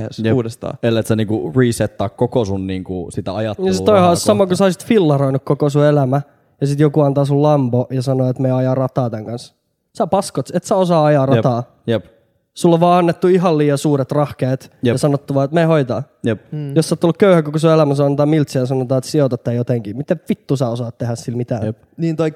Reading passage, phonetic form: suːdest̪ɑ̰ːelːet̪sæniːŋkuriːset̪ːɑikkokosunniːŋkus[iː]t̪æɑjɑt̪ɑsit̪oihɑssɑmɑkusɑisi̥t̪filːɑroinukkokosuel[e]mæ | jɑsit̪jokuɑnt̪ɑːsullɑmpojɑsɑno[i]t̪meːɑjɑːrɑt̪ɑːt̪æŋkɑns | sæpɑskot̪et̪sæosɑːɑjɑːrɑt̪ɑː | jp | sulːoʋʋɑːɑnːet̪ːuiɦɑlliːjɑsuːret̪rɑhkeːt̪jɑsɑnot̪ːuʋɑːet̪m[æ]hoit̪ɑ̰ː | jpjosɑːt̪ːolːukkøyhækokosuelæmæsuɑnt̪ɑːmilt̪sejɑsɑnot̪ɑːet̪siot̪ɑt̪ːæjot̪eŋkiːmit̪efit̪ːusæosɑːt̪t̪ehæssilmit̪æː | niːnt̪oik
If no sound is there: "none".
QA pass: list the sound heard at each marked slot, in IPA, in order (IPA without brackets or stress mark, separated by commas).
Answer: i, æ, e, e